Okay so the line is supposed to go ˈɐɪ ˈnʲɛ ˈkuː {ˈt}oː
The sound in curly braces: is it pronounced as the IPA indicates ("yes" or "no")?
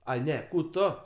yes